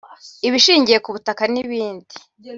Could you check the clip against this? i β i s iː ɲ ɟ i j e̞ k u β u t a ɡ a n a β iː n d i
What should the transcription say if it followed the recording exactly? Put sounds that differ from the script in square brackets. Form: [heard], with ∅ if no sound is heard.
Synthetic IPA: i β i [ʃ] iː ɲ ɟ i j e̞ k u β u t a [k] a n [i] β iː n d i